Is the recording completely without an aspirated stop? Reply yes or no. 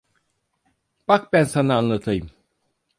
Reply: no